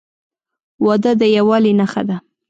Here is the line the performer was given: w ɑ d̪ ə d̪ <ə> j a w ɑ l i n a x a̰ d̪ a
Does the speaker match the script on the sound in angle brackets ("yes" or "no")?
yes